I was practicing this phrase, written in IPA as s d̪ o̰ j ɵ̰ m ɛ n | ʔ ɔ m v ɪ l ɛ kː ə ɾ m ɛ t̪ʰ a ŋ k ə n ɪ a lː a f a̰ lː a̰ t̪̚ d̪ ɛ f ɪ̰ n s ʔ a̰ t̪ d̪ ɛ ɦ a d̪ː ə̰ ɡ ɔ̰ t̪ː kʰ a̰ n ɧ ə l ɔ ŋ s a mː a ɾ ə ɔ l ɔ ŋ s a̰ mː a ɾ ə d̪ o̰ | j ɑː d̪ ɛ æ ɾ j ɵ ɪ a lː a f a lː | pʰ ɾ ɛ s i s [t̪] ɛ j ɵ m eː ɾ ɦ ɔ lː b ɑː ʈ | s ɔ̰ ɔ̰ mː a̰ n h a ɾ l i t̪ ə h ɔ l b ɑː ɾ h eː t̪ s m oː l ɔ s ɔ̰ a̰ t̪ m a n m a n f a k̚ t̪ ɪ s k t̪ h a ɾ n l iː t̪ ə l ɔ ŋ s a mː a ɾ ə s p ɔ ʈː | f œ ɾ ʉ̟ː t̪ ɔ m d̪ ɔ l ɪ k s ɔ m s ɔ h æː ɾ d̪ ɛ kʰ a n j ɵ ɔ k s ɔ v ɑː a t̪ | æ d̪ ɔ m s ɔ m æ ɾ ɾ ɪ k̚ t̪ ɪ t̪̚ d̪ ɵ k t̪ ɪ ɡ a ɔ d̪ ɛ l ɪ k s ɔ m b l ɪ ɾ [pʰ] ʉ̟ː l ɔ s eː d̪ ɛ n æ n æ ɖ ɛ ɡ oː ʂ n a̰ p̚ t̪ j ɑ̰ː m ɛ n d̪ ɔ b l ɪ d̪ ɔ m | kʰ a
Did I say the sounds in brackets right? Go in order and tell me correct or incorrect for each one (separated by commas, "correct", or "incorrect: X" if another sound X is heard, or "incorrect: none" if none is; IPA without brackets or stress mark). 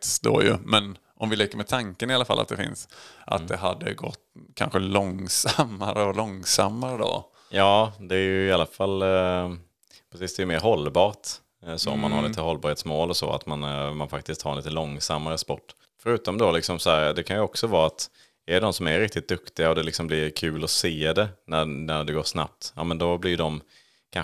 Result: incorrect: d̪, incorrect: kʰ